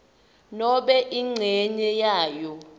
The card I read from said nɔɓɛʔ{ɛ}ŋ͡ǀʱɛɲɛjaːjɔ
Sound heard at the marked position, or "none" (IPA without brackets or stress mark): i